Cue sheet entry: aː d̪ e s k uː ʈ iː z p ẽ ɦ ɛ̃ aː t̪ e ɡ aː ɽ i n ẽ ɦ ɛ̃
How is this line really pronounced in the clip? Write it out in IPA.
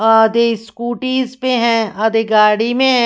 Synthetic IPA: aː d̪ e s k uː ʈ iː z p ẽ ɦ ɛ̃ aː d̪ e ɡ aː ɽ i m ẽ ɦ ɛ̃